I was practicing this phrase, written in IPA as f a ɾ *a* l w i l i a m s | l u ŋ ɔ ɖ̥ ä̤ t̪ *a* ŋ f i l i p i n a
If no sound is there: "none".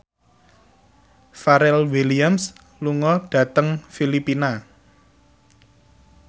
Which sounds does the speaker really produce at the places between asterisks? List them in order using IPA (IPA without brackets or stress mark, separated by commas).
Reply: ɛ, ə